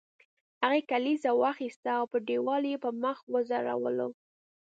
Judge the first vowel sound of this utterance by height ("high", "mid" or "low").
low